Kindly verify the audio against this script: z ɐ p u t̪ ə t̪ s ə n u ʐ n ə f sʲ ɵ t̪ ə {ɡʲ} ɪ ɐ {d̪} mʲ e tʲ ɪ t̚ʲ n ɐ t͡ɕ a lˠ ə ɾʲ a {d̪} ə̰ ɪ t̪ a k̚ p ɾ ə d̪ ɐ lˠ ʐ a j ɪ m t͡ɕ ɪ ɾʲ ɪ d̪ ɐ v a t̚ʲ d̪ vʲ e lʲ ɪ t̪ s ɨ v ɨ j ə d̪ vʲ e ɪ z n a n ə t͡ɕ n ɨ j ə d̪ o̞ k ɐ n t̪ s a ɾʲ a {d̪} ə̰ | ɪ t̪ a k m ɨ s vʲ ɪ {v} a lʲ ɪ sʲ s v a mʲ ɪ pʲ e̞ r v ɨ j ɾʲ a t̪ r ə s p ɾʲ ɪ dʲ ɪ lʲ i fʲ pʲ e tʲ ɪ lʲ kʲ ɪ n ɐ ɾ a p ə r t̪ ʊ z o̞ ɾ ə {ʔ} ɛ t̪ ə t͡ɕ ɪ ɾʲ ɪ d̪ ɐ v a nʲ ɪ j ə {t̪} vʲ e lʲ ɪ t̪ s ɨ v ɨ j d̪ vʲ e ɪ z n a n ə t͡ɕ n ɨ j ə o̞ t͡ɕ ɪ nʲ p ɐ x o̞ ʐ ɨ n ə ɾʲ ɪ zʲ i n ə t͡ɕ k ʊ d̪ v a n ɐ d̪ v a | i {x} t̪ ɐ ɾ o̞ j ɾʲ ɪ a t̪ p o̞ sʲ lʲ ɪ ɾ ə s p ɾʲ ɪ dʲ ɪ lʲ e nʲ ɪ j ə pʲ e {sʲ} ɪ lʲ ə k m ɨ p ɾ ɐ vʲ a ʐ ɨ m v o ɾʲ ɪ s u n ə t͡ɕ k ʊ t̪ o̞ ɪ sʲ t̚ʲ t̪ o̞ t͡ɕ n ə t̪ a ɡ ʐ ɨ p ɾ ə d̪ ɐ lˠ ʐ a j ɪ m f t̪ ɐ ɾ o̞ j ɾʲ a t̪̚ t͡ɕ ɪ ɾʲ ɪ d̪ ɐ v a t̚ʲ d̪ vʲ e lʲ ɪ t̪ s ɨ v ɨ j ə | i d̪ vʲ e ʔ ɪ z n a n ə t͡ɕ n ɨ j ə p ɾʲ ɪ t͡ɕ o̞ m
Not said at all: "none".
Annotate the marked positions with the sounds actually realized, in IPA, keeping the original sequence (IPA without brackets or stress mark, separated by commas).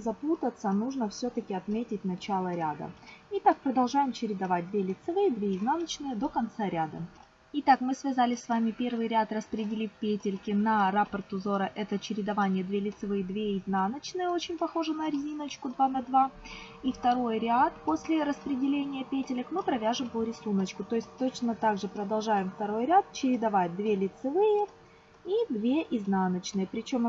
kʲ, t̪, d̪, d̪, z, ʔ, d̪, f, tʲ